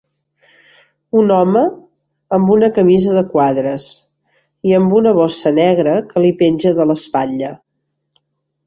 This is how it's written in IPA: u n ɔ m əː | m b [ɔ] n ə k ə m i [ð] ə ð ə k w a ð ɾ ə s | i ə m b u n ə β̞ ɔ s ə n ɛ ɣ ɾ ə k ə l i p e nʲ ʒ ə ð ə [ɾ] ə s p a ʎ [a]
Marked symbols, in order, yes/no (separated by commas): no, no, no, no